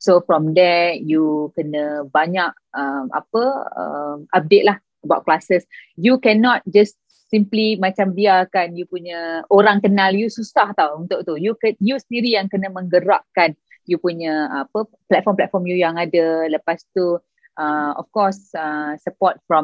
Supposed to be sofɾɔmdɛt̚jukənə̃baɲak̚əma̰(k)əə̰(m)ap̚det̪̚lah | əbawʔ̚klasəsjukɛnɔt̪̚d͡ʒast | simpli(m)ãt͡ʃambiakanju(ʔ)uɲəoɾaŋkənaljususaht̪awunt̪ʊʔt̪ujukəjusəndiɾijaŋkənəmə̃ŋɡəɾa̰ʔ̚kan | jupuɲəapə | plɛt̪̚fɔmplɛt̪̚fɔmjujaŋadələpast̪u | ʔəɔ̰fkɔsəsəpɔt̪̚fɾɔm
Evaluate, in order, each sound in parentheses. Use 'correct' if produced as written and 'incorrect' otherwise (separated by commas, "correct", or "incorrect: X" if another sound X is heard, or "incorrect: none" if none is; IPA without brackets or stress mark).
incorrect: p, correct, correct, incorrect: p